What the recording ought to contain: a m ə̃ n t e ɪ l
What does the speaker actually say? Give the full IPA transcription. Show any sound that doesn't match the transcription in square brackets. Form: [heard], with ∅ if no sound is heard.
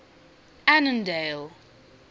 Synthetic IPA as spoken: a [n] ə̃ n [d] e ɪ l

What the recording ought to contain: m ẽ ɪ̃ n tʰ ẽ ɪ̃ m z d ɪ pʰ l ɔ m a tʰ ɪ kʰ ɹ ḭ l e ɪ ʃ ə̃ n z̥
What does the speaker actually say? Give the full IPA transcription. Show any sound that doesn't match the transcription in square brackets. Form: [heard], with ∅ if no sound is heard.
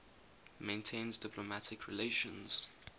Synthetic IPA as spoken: m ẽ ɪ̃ n tʰ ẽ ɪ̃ [n] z d ɪ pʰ l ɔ m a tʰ ɪ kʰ ɹ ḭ l e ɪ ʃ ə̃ n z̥

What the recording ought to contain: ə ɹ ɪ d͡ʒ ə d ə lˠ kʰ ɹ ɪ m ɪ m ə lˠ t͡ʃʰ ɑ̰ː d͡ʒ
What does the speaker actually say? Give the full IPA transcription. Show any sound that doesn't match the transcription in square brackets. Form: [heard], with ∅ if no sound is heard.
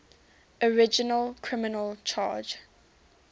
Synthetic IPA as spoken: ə ɹ ɪ d͡ʒ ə [n] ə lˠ kʰ ɹ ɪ m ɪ [n] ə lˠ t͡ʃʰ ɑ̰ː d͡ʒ

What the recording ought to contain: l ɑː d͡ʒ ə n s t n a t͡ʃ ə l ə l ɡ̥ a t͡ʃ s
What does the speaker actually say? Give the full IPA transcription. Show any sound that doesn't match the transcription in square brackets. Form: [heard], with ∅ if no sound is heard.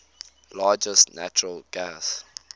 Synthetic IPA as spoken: l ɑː d͡ʒ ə [∅] s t n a t͡ʃ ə [ɹ] ə l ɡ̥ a [∅] s

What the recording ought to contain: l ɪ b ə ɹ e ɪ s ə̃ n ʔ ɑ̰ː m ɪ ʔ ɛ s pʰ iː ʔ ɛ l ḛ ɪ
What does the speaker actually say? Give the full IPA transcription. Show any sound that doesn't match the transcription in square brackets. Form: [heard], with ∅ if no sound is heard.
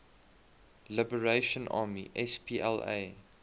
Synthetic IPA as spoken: l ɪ b ə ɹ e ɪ [ʃ] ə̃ n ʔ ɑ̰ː m [i] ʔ ɛ s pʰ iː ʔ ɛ l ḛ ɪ

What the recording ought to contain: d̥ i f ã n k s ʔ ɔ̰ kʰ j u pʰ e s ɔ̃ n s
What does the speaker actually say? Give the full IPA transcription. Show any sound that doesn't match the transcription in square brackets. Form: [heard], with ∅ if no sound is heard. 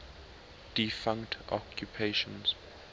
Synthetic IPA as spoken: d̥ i f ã [ŋ] k [t] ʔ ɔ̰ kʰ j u pʰ e [ʃ] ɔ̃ n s

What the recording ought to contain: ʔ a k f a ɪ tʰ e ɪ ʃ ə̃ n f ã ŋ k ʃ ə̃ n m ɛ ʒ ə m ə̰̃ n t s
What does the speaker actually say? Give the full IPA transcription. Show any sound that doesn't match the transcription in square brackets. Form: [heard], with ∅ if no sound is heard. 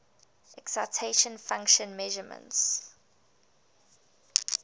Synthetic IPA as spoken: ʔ [ɛ] k [s] a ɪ tʰ e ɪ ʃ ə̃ n f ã ŋ k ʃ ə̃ n m ɛ ʒ ə m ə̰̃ n t s

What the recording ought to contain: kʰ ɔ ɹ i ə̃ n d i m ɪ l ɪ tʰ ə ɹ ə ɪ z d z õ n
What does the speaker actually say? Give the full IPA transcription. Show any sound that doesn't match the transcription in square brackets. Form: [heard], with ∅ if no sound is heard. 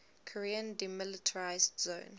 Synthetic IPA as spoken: kʰ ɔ ɹ i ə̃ n d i m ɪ l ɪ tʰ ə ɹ [a] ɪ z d z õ n

